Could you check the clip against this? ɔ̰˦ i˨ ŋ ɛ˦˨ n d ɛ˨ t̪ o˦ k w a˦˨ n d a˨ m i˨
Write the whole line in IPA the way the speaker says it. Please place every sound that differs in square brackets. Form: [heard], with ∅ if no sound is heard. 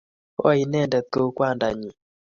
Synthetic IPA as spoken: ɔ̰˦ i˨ [n] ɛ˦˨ n d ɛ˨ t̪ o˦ k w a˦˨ n d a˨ [ɲ] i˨

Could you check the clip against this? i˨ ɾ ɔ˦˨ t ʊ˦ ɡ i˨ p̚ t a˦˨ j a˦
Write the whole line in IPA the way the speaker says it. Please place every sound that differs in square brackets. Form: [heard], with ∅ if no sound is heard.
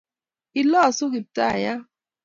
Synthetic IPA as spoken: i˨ [l] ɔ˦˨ [s] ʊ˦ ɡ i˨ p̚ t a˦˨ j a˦

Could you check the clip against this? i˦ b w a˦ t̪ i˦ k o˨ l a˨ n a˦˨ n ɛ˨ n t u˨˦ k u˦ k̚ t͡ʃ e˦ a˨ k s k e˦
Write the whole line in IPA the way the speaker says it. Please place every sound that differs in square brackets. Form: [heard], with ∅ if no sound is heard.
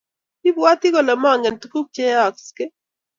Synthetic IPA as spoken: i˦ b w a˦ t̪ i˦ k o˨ l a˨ [m] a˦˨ [ŋ] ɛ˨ n t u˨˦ k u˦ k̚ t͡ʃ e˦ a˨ k s k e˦

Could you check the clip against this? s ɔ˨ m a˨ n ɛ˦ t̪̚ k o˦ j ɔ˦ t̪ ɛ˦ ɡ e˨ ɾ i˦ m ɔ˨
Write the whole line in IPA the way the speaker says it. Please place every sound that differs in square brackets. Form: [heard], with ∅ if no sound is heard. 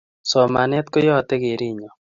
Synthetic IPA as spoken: s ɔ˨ m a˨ n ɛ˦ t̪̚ k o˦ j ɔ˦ t̪ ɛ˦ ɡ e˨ ɾ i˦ [ɲ] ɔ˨

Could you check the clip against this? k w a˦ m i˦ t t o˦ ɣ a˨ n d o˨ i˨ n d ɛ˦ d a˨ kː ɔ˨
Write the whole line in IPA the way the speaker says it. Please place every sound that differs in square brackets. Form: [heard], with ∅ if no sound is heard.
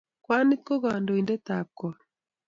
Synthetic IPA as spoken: k w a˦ [n] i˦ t [k] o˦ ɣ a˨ n d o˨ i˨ n d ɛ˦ [t] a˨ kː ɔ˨

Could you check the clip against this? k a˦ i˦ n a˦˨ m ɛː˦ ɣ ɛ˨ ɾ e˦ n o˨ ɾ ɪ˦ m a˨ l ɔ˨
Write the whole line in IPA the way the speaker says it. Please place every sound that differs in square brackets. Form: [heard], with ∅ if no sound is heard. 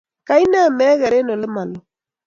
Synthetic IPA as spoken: k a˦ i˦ n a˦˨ m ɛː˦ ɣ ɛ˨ ɾ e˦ n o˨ [l] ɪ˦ m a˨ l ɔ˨

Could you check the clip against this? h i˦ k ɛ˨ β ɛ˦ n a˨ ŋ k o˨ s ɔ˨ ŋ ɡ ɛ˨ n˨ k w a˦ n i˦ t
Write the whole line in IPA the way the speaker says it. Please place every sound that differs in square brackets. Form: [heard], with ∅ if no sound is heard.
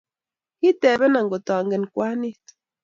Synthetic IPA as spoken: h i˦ [t] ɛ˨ β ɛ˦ n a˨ ŋ [ɡ] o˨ [t] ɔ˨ ŋ ɡ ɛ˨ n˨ k w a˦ n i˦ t

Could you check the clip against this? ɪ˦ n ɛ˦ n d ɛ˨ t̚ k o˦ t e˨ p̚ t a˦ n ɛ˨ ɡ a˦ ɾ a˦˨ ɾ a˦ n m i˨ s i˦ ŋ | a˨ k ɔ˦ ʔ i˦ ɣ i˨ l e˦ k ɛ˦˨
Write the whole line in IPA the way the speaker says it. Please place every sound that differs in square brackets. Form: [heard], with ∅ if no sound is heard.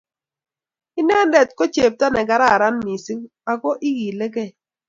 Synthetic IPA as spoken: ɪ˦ n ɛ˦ n d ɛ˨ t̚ k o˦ [t͡ʃ] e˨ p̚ t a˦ n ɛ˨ ɡ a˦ ɾ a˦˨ ɾ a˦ n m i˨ s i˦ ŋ | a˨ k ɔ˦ ʔ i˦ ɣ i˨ l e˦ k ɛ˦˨

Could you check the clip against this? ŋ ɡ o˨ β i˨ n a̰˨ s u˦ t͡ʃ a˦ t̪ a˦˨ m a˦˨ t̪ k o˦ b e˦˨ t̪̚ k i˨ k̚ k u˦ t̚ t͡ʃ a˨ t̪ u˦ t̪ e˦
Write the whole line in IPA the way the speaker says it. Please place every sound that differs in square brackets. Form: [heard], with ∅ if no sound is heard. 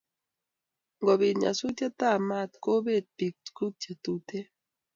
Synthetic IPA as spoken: ŋ ɡ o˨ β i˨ [ɲ] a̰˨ s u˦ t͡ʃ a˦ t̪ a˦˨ m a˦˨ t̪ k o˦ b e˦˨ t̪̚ [p] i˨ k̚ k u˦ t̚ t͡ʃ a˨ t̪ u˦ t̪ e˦

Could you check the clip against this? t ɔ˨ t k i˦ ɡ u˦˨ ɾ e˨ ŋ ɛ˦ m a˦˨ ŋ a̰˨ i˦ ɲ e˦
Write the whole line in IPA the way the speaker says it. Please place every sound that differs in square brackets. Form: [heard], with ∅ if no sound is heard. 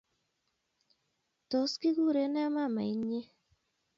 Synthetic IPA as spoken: t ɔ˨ [s] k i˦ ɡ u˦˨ ɾ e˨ [n] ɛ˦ m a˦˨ [m] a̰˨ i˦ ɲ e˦

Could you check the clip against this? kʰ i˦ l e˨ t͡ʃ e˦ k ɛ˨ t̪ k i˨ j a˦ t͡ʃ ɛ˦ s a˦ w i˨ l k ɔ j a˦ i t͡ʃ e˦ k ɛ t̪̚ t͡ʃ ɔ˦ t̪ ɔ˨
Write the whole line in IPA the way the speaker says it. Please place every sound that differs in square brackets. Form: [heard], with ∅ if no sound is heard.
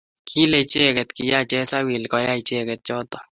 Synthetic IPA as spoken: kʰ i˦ l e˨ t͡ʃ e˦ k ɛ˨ t̪ k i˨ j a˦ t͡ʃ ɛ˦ s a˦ w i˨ l k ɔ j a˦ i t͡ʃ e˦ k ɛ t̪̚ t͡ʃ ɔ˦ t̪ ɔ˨

